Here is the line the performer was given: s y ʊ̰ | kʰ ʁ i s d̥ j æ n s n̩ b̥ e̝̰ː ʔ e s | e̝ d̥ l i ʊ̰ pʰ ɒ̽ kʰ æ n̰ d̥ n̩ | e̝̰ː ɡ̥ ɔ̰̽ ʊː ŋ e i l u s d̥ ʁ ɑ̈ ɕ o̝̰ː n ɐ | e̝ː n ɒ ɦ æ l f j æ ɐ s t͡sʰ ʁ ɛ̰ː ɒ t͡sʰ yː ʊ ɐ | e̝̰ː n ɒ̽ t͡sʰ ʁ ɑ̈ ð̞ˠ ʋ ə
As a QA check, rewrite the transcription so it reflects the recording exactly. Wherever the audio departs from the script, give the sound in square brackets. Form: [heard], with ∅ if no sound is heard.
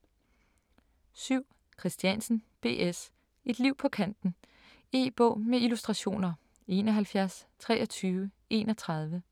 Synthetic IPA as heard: s y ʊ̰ | kʰ ʁ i s d̥ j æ n s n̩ b̥ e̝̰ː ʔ e s | e̝ d̥ l i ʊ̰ pʰ ɒ̽ kʰ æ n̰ d̥ n̩ | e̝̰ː [b̥] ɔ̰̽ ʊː [m] e i l u s d̥ ʁ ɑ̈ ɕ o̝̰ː n ɐ | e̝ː n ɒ ɦ æ l f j æ ɐ s t͡sʰ ʁ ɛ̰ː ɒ t͡sʰ yː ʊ [ə] | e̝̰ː n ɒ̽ t͡sʰ ʁ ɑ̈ ð̞ˠ ʋ ə